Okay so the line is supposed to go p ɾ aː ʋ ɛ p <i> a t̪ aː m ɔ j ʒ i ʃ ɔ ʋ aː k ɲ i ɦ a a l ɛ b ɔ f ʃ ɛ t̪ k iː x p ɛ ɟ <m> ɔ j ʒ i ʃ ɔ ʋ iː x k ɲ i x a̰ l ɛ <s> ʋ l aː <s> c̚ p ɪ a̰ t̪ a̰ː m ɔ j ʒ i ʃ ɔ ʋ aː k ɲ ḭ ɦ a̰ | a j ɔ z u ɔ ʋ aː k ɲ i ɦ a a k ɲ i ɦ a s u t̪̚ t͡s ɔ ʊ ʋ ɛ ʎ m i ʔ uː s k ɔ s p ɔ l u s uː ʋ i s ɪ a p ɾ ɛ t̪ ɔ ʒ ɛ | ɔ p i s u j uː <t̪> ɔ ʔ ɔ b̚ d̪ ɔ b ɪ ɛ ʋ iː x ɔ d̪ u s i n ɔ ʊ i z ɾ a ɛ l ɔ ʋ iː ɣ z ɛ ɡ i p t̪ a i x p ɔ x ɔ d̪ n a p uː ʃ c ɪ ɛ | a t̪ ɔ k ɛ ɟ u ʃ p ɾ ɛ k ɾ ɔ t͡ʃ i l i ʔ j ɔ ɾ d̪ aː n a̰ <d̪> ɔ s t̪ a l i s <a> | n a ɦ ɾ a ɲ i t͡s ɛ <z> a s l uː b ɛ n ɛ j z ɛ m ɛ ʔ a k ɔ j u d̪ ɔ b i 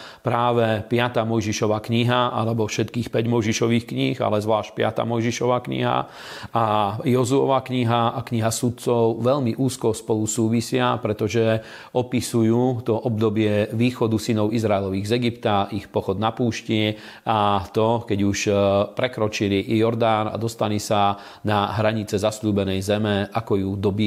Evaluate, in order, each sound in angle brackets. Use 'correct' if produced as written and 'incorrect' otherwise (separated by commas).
incorrect, correct, incorrect, incorrect, correct, correct, correct, correct